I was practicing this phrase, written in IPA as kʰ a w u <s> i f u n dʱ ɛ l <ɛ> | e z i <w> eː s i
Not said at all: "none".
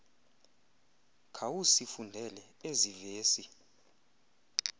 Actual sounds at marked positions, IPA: s, ɛ, v

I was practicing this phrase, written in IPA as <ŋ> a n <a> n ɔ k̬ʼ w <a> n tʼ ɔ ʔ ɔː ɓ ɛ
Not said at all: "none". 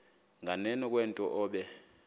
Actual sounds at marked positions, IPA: ŋ, ɛ, ɛ

